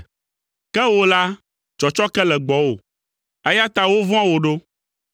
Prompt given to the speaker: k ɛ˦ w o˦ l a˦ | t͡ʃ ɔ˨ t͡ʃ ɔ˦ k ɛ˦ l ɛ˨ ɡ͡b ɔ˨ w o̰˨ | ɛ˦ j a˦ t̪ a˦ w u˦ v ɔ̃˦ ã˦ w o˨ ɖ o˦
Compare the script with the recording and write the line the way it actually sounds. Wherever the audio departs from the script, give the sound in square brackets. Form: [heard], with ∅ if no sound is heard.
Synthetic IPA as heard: k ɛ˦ w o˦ l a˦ | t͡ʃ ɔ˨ t͡ʃ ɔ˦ k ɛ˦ l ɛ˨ ɡ͡b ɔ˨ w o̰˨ | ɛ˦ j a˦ t̪ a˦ w [o˦] v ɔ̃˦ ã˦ w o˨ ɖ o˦